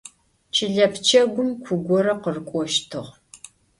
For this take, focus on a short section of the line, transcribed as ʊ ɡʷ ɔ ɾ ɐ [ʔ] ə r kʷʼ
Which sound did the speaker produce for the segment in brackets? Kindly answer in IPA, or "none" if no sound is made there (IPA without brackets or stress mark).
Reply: q